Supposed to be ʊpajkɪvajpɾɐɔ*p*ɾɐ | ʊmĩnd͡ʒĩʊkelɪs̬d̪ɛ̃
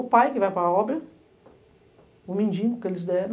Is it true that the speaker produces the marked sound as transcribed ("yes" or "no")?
no